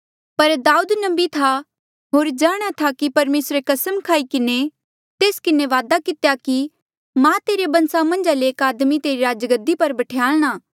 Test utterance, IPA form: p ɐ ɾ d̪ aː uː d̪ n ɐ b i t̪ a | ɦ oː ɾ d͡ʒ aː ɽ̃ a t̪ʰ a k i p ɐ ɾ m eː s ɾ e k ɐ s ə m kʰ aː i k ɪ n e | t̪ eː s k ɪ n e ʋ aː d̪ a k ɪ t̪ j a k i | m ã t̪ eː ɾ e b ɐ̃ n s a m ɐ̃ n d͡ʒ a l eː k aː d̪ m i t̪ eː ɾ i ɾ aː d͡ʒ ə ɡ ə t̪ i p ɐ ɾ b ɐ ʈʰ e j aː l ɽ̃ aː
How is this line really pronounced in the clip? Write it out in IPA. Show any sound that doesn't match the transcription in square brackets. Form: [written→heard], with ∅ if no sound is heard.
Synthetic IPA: p ɐ ɾ d̪ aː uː d̪ n ɐ b i [t̪→t̪ʰ] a | ɦ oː ɾ d͡ʒ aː ɽ̃ a t̪ʰ a k i p ɐ ɾ m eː s ɾ e k ɐ s ə m kʰ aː i k ɪ n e | t̪ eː s k ɪ n e ʋ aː d̪ a k ɪ t̪ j a k i | m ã t̪ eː ɾ e b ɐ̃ n s a m ɐ̃ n d͡ʒ a l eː k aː d̪ m i t̪ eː ɾ i ɾ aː d͡ʒ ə ɡ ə [t̪→d̪] i p ɐ ɾ b ɐ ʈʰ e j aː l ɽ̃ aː